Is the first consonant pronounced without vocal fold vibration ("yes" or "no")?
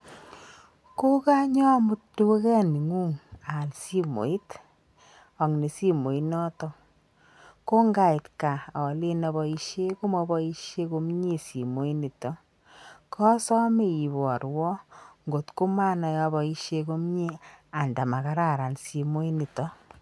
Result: yes